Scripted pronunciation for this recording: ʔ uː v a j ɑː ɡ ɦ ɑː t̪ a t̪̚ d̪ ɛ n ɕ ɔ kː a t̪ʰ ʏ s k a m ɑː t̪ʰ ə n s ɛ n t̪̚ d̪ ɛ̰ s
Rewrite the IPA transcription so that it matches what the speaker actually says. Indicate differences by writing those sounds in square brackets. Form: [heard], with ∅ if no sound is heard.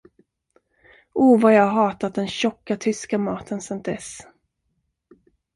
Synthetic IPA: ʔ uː v a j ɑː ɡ ɦ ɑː t̪ a t̪̚ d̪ ɛ n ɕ ɔ kː a t̪ʰ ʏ s k a m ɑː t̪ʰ ə n s ɛ n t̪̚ d̪ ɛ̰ s